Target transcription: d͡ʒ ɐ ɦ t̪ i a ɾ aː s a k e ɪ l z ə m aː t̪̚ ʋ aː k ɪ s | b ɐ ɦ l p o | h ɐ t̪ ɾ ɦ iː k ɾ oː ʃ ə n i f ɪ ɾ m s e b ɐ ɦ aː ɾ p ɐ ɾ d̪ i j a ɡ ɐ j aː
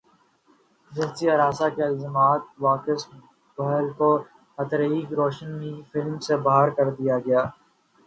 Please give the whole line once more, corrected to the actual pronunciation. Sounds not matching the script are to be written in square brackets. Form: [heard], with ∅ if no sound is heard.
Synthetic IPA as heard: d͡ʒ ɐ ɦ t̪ i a ɾ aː s a k e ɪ l z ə m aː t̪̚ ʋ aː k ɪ s | b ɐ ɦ l [k] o | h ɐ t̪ ɾ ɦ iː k ɾ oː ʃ ə n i f ɪ [l] m s e b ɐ ɦ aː ɾ [k] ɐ ɾ d̪ i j a ɡ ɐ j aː